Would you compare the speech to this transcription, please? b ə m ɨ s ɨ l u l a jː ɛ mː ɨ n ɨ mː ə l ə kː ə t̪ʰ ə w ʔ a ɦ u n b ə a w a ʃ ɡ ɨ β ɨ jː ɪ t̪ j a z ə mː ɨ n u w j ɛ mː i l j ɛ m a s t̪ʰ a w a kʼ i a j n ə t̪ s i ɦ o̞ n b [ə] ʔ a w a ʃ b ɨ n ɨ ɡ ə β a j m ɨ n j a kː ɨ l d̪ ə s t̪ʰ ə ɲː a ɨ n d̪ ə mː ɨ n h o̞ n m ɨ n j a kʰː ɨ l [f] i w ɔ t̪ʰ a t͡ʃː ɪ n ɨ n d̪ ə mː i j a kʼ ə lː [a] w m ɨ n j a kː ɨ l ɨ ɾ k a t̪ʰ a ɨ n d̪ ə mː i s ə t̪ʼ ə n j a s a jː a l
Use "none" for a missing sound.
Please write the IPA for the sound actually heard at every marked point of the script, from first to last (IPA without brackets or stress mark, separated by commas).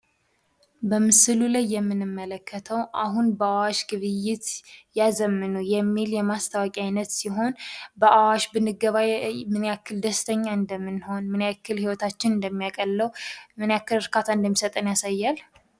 ə, h, ə